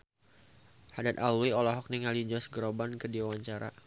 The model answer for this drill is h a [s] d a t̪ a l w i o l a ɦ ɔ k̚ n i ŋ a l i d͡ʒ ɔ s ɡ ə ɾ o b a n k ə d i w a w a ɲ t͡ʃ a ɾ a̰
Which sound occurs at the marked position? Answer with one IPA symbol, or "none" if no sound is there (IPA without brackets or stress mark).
none